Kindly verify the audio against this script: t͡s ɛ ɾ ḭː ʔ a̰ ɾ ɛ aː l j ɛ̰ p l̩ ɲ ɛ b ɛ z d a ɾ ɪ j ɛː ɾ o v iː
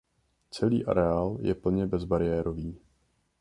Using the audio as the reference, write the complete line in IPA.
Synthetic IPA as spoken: t͡s ɛ l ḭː ʔ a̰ ɾ ɛ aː l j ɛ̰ p l̩ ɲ ɛ b ɛ z b a ɾ ɪ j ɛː ɾ o v iː